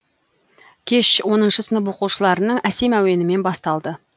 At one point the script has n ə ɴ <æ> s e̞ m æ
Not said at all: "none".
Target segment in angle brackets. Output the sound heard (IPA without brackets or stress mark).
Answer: æ